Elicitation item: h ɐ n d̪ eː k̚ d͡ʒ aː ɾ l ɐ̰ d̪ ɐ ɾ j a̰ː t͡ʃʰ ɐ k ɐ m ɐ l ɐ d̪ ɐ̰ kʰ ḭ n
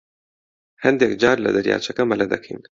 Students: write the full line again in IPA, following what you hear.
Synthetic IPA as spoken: h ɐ n d̪ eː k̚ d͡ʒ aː ɾ l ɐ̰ d̪ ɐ ɾ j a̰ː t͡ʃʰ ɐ k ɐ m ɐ l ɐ d̪ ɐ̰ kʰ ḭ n